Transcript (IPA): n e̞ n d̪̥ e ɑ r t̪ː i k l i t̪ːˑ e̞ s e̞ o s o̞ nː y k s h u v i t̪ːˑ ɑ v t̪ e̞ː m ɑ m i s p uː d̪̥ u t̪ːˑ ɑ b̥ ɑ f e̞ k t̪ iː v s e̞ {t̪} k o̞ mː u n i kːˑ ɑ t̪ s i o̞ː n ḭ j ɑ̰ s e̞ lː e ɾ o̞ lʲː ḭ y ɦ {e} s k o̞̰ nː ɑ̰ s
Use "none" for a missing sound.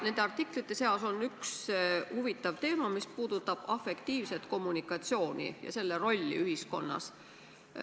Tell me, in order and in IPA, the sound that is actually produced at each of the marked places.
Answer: t̪, i

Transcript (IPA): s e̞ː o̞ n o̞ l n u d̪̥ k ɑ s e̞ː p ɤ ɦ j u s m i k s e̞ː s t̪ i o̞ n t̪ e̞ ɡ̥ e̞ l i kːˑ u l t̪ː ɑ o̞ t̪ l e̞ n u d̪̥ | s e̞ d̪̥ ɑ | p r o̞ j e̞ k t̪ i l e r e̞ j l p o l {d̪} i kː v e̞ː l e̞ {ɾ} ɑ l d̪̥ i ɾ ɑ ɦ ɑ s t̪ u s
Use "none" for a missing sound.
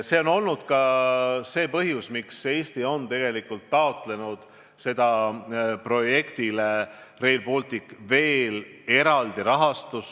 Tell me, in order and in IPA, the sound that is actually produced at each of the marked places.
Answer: t̪, ɾ

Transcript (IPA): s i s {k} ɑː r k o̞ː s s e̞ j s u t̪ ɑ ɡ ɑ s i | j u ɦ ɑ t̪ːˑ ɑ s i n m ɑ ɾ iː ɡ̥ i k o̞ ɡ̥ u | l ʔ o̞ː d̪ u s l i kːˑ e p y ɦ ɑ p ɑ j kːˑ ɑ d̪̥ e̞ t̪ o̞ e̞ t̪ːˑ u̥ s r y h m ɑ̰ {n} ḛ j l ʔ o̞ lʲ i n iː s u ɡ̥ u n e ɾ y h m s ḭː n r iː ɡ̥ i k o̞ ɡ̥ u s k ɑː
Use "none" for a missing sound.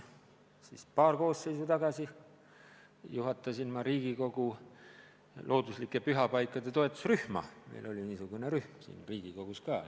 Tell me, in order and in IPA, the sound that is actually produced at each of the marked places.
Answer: p, m

